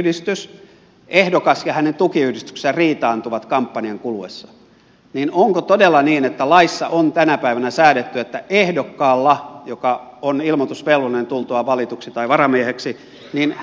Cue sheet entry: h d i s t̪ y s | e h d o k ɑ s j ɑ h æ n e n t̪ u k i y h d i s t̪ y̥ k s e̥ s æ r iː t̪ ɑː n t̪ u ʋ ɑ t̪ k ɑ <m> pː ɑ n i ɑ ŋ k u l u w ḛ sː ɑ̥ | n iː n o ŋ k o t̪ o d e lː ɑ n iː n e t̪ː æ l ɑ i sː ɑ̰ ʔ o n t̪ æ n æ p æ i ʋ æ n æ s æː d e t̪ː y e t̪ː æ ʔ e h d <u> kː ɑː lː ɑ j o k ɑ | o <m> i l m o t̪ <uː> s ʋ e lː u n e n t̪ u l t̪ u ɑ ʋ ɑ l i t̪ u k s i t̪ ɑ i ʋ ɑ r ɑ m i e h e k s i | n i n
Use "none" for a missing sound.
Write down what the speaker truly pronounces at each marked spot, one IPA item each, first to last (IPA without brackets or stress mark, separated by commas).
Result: m, o, n, u